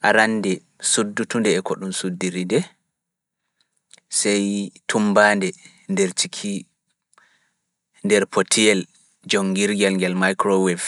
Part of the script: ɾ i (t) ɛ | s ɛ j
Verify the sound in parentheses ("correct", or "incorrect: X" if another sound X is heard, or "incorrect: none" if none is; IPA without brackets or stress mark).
incorrect: d